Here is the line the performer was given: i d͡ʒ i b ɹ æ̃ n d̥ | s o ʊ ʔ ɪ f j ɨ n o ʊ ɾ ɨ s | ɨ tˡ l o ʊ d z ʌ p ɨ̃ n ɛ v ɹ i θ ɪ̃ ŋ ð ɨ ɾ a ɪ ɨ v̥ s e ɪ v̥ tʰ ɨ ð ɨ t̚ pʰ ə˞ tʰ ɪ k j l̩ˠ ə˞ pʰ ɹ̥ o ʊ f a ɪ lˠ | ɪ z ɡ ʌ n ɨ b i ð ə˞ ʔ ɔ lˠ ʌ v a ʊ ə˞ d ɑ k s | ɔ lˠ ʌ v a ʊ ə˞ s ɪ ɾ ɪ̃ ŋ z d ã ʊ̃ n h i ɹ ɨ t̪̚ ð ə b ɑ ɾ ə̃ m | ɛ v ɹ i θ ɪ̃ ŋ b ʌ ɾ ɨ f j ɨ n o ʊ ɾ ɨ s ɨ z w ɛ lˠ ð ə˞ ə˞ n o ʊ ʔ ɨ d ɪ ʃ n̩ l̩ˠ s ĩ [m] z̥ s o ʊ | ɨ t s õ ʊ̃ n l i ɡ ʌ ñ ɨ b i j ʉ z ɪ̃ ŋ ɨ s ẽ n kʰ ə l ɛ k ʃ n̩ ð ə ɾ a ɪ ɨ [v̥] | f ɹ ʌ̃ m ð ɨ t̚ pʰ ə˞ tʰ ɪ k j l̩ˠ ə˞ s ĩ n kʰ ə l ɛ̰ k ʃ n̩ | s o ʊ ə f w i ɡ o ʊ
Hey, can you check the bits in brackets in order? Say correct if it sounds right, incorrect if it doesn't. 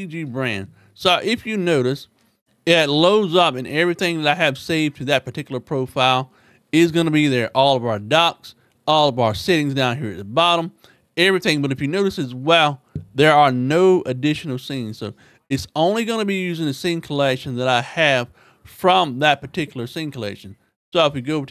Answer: incorrect: n, correct

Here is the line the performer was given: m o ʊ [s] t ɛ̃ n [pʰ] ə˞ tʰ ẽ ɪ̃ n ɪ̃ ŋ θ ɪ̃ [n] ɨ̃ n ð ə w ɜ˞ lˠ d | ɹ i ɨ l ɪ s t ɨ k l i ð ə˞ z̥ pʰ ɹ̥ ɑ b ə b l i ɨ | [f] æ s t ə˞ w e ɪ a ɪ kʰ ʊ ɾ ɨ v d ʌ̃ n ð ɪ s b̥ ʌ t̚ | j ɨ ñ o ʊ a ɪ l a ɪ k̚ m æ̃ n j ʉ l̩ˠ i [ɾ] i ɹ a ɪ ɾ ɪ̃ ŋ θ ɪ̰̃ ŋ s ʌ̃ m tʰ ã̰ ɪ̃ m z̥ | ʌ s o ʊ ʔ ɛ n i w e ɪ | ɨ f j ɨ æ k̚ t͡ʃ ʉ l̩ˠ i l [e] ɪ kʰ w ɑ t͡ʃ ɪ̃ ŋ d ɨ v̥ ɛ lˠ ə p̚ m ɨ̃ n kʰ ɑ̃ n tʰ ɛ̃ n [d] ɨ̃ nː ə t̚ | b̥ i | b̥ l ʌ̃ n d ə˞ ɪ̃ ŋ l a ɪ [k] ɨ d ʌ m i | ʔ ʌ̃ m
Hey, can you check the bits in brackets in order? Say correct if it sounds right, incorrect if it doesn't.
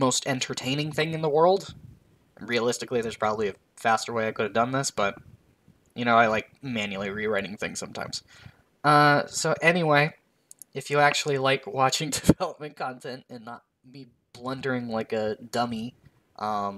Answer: correct, incorrect: tʰ, incorrect: ŋ, correct, incorrect: ɹ, incorrect: a, incorrect: t, correct

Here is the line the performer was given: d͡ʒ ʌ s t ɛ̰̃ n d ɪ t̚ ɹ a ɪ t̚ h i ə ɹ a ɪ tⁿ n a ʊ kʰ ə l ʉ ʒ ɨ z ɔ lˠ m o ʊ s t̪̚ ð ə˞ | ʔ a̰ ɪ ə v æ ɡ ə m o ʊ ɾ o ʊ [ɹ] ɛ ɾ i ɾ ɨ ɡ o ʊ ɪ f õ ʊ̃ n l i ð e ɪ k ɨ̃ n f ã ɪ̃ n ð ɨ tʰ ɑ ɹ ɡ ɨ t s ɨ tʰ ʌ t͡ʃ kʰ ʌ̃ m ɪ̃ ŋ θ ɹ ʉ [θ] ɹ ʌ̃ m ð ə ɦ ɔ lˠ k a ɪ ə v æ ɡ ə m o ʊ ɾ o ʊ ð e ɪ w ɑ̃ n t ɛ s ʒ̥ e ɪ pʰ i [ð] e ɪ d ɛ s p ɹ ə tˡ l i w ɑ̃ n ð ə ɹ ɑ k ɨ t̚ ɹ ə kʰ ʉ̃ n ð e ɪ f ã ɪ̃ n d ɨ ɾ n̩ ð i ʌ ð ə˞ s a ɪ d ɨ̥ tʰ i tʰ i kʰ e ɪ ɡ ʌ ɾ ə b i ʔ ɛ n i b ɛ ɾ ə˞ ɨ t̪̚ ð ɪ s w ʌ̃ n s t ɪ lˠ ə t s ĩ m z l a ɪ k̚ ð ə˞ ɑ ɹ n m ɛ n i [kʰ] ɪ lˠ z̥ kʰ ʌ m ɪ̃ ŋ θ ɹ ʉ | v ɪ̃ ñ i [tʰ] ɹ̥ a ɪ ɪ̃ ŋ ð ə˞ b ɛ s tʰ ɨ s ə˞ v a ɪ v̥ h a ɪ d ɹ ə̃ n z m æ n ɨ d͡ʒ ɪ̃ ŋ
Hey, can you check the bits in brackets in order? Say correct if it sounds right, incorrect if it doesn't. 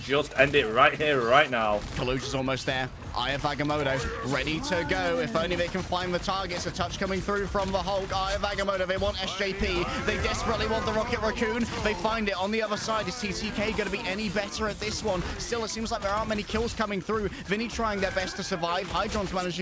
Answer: correct, incorrect: f, correct, correct, correct

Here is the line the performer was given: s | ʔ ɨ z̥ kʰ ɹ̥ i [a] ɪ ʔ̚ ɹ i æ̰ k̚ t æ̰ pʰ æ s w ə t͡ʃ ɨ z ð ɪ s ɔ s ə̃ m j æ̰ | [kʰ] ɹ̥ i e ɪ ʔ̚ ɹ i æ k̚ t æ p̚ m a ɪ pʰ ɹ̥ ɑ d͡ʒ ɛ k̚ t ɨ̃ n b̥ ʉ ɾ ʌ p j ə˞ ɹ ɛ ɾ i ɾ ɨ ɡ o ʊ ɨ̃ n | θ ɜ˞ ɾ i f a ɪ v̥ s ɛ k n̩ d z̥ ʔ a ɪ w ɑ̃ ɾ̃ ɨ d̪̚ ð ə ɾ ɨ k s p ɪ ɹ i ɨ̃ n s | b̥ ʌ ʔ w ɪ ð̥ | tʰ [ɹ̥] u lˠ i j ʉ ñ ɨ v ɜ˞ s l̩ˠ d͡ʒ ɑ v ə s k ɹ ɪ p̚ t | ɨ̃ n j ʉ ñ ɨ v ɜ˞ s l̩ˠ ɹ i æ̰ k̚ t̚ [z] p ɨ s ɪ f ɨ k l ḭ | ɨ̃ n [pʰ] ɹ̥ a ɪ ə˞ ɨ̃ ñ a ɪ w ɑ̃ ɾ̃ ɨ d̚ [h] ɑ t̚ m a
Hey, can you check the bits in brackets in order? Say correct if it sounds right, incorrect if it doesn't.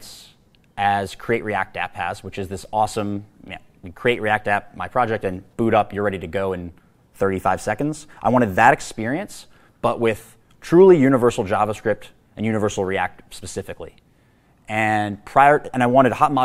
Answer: incorrect: e, correct, correct, incorrect: s, correct, correct

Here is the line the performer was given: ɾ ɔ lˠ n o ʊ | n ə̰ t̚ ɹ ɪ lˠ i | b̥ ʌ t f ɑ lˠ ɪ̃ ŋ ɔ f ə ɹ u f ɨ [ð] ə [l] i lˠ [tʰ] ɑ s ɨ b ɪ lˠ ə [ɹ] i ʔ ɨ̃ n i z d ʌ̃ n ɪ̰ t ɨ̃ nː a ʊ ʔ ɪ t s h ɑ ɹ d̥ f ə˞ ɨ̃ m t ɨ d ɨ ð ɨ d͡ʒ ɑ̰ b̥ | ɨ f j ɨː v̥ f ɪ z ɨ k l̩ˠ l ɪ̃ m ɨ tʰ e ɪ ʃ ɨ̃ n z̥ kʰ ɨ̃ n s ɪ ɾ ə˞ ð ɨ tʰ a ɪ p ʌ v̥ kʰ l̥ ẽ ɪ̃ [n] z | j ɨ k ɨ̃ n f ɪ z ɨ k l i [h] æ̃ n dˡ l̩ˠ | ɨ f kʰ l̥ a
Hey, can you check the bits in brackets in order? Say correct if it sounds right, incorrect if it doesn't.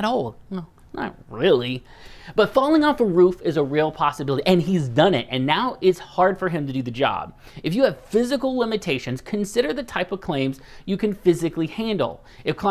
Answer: incorrect: z, incorrect: ɹ, incorrect: pʰ, incorrect: ɾ, incorrect: m, correct

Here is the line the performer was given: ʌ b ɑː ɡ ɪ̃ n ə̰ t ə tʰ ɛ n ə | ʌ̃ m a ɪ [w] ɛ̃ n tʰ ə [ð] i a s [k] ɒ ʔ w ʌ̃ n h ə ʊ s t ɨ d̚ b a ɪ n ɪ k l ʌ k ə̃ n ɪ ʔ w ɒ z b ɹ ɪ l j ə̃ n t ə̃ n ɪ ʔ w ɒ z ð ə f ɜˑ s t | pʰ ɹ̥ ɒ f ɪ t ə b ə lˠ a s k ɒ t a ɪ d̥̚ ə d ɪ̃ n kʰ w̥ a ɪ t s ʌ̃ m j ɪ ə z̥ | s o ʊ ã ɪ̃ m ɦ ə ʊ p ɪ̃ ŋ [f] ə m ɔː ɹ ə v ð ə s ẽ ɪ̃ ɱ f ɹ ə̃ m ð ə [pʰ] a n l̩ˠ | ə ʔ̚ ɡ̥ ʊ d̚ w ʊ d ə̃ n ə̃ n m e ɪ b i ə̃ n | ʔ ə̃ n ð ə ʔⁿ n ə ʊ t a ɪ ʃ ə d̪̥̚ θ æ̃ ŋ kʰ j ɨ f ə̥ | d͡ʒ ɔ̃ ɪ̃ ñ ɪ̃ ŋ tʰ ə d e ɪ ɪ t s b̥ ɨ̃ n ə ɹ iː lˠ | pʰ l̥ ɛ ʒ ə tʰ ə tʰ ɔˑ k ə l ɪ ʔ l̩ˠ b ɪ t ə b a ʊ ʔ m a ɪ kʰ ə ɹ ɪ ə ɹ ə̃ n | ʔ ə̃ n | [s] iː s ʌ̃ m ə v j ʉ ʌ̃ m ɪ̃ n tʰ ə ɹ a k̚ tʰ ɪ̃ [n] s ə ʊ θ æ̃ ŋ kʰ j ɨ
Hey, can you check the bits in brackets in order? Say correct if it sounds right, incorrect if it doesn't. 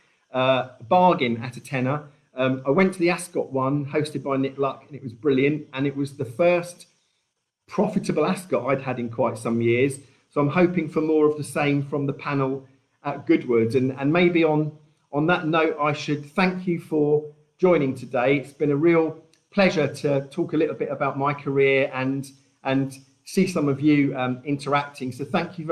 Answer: correct, correct, correct, correct, correct, correct, incorrect: ŋ

